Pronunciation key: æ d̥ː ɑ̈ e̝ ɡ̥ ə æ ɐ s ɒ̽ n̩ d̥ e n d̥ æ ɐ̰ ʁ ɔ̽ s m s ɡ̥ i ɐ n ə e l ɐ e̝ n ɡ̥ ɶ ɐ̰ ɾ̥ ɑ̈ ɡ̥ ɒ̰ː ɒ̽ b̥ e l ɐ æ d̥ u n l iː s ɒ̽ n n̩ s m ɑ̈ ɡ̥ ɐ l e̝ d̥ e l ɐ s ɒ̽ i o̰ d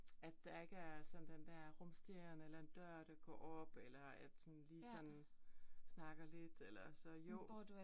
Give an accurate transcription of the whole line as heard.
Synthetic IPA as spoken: æ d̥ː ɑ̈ e̝ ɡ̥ ə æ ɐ s ɒ̽ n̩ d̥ e n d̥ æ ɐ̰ ʁ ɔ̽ m s d̥ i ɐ n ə e l ɐ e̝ n d̥ ɶ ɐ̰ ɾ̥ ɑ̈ ɡ̥ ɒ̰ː ɒ̽ b̥ e l ɐ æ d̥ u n l iː s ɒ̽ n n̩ s n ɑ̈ ɡ̥ ɐ l e̝ d̥ e l ɐ s ɒ̽ j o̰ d